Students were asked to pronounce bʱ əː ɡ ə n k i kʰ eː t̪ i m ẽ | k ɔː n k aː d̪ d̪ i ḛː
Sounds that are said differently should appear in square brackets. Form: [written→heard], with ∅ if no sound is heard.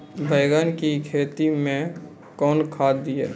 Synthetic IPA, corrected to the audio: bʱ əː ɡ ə n k i kʰ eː t̪ i m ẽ | k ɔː n [k→kʰ] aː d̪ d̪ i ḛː

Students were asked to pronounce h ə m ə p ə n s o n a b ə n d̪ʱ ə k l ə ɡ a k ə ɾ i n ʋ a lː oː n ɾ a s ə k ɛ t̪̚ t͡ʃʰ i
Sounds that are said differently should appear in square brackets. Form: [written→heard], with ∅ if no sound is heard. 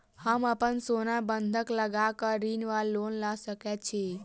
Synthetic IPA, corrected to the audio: h ə m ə p ə n s o n a b ə n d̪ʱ ə k l ə ɡ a k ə ɾ i n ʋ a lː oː n [ɾ→l] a s ə k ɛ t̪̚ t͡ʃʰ i

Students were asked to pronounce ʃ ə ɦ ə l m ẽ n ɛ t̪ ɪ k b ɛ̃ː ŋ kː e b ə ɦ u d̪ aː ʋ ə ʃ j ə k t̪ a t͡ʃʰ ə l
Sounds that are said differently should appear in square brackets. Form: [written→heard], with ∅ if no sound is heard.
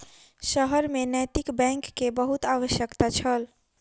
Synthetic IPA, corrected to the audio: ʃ ə ɦ ə [l→ɾ] m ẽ n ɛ t̪ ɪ k b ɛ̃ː ŋ kː e b ə ɦ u [d̪→t̪] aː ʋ ə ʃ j ə k t̪ a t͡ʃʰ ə l

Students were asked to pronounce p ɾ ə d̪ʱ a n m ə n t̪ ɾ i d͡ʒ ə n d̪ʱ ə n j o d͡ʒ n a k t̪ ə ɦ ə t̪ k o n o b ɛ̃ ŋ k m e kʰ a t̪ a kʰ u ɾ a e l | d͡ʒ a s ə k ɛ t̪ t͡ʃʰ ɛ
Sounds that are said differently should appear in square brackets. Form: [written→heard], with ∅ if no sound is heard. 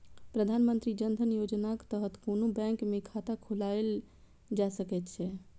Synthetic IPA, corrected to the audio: p ɾ ə d̪ʱ a n m ə n t̪ ɾ i d͡ʒ ə n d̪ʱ ə n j o d͡ʒ n a k t̪ ə ɦ ə t̪ k o n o b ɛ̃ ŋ k m e kʰ a t̪ a kʰ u [ɾ→l] a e l | d͡ʒ a s ə k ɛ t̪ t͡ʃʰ ɛ

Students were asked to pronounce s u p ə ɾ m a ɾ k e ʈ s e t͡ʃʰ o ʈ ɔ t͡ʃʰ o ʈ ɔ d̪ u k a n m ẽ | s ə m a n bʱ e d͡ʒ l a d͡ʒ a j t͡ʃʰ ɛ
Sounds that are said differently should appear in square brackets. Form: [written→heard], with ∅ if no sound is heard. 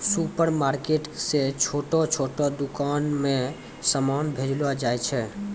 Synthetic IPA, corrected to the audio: s u p ə ɾ m a ɾ k e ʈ s e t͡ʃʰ o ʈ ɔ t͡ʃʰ o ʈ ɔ d̪ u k a n m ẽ | s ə m a n bʱ e d͡ʒ l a d͡ʒ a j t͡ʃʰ ɛ

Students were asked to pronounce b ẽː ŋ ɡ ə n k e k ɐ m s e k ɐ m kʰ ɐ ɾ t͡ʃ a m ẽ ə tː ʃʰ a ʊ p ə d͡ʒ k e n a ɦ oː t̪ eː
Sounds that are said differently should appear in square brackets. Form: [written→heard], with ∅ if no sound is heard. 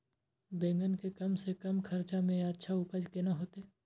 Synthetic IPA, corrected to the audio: b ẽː ŋ ɡ ə n k e k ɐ m s e k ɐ m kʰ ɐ ɾ t͡ʃ a m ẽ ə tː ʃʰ a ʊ p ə d͡ʒ k e n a ɦ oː t̪ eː

